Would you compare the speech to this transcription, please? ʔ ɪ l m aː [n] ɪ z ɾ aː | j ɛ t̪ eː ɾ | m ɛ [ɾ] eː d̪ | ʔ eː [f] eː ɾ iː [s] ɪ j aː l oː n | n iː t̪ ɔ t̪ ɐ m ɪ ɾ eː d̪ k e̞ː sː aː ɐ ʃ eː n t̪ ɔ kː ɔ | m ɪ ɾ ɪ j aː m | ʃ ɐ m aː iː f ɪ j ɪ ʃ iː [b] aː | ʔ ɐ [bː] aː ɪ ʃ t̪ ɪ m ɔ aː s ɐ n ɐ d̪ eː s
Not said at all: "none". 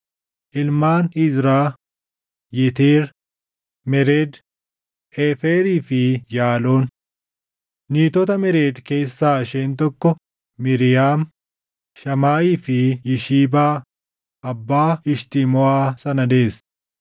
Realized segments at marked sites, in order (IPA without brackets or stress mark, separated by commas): n, ɾ, f, f, b, bː